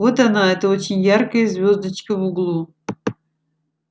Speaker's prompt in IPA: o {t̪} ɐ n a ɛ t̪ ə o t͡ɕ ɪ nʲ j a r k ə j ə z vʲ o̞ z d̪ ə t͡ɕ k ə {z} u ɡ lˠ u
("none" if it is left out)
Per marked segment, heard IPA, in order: t̪, v

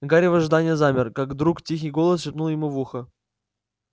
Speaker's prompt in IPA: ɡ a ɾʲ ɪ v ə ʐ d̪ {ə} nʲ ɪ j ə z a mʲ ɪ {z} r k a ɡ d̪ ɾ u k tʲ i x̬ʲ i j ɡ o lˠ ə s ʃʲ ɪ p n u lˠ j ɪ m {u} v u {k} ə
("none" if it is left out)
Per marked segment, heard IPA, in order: a, none, u, x

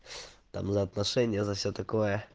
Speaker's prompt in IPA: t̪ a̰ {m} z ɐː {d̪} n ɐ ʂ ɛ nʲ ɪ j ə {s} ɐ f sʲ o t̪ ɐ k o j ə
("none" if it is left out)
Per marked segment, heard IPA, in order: m, t̪, z

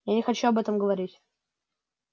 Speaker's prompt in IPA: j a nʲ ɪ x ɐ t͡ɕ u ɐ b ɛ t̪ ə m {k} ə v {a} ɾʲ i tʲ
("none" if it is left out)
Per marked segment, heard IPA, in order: ɡ, ɐ

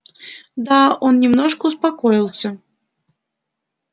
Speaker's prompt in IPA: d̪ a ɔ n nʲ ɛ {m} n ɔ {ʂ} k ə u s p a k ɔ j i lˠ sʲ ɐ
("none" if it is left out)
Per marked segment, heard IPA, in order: m, ʂ

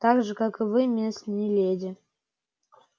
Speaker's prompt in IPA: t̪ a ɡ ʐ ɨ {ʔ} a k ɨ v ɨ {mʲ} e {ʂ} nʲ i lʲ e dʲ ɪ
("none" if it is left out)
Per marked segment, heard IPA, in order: k, mʲ, s

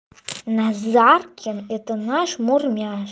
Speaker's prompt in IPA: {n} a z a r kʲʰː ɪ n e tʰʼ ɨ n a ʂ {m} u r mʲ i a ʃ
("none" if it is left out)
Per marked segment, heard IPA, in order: n, m

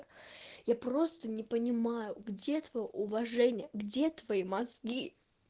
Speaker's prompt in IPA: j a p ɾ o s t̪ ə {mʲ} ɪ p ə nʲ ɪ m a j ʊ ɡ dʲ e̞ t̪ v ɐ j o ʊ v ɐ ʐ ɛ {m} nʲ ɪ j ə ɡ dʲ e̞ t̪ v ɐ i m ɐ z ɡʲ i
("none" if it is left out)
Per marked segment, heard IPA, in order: nʲ, none

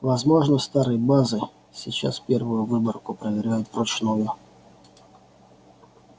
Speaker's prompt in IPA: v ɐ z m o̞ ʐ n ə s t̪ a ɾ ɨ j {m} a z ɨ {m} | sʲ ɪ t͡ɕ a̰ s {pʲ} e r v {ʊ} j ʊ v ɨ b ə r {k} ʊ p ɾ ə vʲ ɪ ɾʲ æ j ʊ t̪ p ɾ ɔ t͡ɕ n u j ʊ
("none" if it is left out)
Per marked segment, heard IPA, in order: b, none, pʲ, ʊ, k

